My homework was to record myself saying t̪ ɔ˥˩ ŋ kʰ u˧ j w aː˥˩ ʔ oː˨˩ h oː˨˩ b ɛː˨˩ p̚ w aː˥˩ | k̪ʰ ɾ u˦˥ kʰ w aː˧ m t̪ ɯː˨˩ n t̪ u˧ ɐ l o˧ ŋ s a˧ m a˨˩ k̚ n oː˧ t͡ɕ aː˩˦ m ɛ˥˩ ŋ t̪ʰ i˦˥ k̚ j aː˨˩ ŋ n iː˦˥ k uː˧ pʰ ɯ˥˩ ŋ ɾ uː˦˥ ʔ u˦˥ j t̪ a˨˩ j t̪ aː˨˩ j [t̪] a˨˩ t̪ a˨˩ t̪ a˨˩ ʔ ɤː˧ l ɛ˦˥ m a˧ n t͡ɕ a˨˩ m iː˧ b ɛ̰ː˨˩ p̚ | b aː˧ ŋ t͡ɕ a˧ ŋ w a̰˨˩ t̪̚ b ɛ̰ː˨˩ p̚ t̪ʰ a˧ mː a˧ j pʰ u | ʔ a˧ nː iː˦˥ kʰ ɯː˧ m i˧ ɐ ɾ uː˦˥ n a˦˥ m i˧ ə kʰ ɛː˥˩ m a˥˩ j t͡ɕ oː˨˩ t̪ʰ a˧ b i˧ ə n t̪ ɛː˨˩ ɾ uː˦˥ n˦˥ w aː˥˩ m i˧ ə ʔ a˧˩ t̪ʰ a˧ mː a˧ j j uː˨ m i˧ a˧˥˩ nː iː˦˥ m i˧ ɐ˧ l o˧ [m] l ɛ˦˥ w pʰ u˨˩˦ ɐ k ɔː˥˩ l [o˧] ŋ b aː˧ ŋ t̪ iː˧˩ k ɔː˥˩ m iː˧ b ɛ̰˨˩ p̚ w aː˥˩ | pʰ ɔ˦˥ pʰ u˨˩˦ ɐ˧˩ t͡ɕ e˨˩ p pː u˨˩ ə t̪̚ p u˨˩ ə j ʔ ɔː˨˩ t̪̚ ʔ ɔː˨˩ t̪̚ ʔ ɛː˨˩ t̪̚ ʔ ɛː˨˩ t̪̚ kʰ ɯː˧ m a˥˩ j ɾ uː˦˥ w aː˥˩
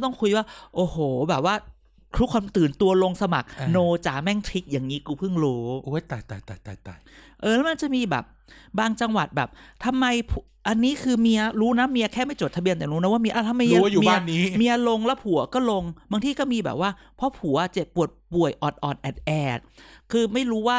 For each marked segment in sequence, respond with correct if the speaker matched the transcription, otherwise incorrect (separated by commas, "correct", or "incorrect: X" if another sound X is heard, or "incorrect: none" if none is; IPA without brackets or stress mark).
correct, incorrect: ŋ, correct